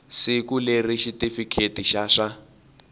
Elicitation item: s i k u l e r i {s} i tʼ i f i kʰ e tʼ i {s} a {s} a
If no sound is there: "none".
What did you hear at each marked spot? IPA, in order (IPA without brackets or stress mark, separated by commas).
ʃ, ʃ, ʂ